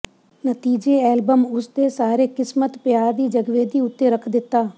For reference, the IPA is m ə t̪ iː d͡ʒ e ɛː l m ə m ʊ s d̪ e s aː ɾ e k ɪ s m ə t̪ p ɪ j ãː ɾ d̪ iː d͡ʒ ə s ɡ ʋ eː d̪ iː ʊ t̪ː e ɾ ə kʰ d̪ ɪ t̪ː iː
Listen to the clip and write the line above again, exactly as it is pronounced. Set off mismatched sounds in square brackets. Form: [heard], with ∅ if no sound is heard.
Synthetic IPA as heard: [n] ə t̪ iː d͡ʒ e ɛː l [b] ə m ʊ s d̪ e s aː ɾ e k ɪ s m ə t̪ p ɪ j [aː] ɾ d̪ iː d͡ʒ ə [∅] ɡ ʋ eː d̪ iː ʊ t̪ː e ɾ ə kʰ d̪ ɪ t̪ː [aː]